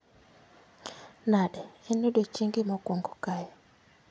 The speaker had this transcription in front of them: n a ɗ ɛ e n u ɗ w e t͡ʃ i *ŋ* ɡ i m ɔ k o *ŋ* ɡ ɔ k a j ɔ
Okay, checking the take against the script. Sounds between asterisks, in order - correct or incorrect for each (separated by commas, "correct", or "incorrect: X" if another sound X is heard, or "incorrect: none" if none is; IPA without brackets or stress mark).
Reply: correct, correct